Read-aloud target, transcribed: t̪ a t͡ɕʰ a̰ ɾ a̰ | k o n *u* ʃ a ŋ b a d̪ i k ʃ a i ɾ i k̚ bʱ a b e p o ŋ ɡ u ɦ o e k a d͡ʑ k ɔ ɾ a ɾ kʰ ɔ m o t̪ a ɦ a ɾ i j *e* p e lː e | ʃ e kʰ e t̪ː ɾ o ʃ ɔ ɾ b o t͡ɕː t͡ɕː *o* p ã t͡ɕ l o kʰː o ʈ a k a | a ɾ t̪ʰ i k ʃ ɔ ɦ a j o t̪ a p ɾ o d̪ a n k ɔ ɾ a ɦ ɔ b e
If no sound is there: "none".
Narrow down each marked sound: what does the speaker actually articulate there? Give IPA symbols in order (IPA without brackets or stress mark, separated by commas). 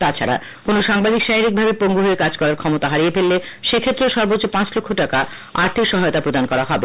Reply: o, e, o